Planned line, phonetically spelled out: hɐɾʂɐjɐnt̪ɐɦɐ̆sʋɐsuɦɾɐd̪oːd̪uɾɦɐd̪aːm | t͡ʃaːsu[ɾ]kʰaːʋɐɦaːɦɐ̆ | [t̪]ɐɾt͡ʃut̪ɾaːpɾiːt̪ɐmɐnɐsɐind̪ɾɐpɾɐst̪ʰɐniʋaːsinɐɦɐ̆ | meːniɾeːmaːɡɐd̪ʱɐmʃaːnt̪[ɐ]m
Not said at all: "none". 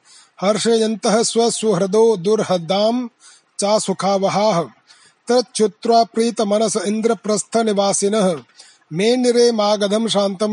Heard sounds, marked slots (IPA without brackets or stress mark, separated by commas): none, t̪, ɐ